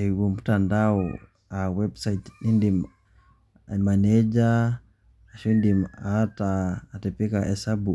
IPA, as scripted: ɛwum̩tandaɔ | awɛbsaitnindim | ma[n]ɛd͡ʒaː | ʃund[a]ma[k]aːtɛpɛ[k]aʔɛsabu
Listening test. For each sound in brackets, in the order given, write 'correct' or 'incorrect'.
correct, incorrect: i, incorrect: t, correct

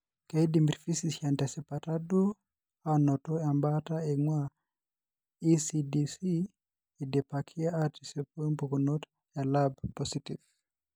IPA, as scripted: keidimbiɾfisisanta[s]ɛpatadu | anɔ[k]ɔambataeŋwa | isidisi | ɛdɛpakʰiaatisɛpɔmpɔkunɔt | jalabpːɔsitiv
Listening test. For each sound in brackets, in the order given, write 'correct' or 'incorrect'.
correct, incorrect: t

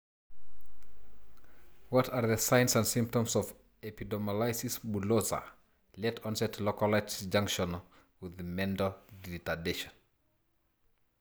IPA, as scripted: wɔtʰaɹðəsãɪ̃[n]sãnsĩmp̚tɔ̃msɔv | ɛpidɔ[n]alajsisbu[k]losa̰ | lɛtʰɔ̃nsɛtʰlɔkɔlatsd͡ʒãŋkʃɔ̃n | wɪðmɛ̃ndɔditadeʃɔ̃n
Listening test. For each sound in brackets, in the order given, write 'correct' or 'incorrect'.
correct, incorrect: m, incorrect: none

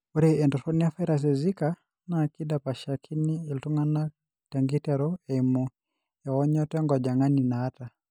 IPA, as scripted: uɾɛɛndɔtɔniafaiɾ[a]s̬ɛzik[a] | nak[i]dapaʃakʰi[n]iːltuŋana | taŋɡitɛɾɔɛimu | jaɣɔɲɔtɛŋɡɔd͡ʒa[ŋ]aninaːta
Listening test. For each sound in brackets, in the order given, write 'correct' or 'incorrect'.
correct, correct, correct, correct, correct

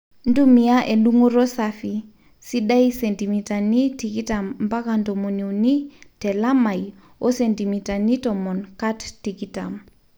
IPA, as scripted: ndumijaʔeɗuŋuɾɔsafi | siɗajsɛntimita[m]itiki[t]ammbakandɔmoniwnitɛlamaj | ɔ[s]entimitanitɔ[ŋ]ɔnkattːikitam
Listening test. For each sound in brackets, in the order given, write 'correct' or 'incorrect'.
incorrect: n, correct, correct, incorrect: m

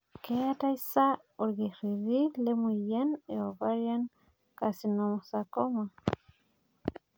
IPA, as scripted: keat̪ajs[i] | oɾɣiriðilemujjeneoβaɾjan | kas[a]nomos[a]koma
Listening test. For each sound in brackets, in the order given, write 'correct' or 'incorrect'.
incorrect: a, incorrect: i, correct

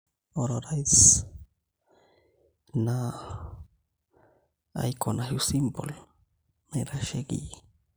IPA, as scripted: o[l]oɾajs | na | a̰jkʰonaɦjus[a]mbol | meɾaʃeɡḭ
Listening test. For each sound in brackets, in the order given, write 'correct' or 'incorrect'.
incorrect: ɾ, incorrect: i

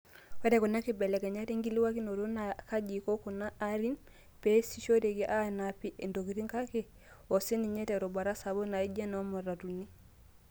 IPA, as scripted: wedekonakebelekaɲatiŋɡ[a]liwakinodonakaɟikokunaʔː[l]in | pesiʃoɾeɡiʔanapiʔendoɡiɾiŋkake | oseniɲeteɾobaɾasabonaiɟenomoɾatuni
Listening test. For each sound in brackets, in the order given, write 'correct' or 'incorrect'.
incorrect: i, incorrect: ɾ

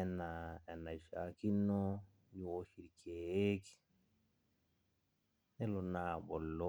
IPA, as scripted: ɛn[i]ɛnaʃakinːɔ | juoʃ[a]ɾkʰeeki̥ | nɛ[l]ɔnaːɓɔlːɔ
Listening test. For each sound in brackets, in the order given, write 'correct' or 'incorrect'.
incorrect: a, incorrect: i, correct

